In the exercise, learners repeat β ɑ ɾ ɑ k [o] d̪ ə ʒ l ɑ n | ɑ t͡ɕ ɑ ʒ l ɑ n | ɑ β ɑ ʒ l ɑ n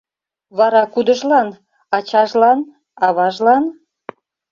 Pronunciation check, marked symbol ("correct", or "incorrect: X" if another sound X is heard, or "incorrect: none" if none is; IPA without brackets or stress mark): incorrect: u